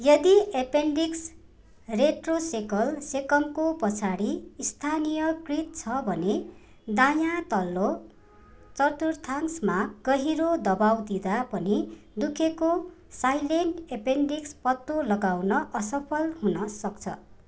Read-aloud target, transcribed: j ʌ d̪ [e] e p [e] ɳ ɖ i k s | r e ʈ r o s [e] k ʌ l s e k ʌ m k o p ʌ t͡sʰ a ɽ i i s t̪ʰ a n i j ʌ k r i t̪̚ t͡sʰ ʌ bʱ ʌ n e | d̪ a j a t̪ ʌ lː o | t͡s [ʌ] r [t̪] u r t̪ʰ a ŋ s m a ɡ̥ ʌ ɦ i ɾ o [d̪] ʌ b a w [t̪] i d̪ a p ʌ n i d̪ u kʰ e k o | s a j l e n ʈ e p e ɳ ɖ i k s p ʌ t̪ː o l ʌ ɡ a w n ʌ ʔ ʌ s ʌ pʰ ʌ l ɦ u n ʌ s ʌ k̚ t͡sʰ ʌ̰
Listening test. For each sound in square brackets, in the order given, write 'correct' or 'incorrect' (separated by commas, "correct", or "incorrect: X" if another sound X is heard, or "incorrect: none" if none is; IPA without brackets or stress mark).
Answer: incorrect: i, correct, correct, correct, correct, correct, incorrect: d̪